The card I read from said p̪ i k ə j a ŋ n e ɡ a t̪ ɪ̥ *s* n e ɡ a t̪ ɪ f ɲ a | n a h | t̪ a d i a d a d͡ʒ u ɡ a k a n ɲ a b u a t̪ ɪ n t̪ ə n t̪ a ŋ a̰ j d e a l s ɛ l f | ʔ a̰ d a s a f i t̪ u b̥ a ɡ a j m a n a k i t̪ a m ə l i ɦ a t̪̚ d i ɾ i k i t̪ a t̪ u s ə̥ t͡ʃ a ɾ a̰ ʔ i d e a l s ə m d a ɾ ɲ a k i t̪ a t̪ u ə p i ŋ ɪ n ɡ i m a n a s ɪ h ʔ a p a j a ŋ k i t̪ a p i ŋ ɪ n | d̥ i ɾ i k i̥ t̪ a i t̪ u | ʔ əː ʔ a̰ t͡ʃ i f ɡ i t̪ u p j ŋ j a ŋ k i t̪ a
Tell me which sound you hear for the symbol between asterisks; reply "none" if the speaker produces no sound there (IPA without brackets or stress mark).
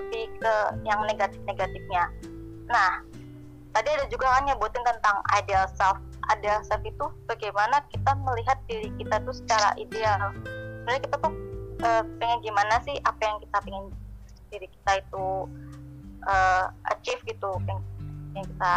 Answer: f